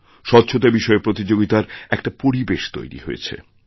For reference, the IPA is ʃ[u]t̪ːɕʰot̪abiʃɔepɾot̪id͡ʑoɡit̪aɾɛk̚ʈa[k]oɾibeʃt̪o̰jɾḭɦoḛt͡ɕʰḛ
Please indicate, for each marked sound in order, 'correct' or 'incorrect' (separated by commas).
incorrect, incorrect